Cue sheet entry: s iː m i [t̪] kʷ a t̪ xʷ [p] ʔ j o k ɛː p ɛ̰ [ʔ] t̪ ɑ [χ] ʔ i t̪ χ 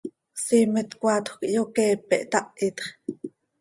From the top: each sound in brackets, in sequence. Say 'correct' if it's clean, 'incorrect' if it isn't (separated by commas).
correct, incorrect, correct, incorrect